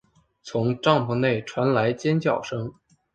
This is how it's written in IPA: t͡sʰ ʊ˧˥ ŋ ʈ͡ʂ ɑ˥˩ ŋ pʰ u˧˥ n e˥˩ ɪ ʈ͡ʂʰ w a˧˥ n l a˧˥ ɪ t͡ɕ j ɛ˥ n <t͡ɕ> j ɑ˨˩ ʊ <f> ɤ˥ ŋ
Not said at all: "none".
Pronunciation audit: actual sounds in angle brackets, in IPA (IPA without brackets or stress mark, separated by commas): t͡ɕ, ʂ